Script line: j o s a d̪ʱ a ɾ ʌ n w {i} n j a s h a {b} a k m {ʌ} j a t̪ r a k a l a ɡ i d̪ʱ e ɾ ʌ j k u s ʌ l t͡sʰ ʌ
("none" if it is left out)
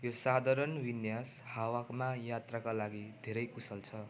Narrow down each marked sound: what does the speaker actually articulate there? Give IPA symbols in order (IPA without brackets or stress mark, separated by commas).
i, w, a